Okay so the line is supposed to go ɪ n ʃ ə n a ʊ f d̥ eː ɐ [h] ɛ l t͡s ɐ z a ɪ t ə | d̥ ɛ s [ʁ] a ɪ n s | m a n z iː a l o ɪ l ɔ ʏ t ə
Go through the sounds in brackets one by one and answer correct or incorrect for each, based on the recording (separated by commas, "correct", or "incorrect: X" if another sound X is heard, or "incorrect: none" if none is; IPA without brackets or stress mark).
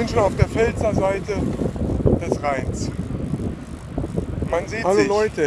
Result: incorrect: f, correct